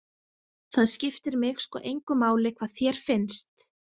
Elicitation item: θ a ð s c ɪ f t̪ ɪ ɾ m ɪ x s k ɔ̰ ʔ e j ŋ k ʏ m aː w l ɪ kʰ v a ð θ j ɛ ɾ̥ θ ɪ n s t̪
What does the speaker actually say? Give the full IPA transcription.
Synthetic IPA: θ a ð s c ɪ f t̪ ɪ ɾ m ɪ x s k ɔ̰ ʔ e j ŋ k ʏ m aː w l ɪ kʰ v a ð θ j ɛ ɾ̥ f ɪ n s t̪

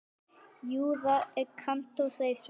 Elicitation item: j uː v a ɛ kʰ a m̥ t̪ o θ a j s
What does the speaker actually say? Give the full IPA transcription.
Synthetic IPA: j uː ð a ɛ kʰ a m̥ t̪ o s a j s

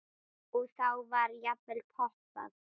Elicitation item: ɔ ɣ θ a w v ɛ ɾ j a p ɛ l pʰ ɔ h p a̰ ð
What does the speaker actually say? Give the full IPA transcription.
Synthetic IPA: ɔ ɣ θ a w v a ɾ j a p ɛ l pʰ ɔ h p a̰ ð

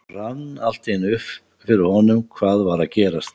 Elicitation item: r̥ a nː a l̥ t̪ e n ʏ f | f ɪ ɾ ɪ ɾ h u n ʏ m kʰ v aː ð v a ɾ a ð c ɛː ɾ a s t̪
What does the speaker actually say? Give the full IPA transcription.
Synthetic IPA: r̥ a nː a l̥ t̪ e n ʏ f | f ɪ ɾ ɪ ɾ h ɔ n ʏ m kʰ v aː ð v a ɾ a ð c ɛː ɾ a s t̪

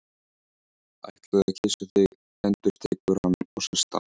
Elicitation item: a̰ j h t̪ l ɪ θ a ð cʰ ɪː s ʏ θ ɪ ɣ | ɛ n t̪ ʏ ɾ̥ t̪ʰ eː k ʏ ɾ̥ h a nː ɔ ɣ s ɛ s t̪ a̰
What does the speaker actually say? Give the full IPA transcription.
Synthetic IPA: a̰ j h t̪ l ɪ ð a ð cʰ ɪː s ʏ θ ɪ ɣ | ɛ n t̪ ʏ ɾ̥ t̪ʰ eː k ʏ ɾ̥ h a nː ɔ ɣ s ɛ s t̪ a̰

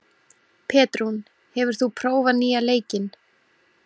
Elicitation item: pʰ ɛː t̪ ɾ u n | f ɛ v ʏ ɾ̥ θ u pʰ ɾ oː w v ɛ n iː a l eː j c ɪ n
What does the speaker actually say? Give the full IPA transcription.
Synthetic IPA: pʰ ɛː t̪ ɾ u n | h ɛ v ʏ ɾ̥ θ u pʰ ɾ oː w v a n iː a l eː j c ɪ n

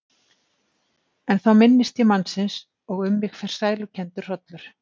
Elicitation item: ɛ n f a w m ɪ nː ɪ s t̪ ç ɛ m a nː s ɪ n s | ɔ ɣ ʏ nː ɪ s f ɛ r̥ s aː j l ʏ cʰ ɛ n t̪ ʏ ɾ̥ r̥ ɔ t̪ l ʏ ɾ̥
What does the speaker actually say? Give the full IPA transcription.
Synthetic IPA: ɛ n θ a w m ɪ nː ɪ s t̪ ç ɛ m a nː s ɪ n s | ɔ ɣ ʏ mː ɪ x f ɛ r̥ s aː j l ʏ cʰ ɛ n t̪ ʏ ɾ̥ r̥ ɔ t̪ l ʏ ɾ̥

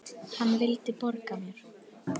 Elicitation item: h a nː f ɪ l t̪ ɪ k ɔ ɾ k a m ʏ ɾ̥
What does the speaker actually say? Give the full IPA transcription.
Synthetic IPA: h a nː v ɪ l t̪ ɪ p ɔ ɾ k a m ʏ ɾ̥

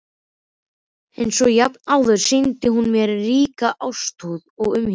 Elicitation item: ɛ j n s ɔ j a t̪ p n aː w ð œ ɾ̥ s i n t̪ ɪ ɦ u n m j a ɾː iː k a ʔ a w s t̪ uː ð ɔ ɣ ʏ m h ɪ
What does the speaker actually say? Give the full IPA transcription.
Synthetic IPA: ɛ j n s ɔ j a p n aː w ð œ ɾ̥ s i n t̪ ɪ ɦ u n m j ɛ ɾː iː k a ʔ a w s t̪ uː ð ɔ ɣ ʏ m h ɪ

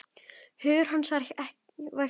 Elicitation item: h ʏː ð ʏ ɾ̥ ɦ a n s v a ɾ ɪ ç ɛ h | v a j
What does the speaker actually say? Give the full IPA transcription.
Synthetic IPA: h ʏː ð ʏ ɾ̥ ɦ a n s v a ɾ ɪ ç ɛ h | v a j

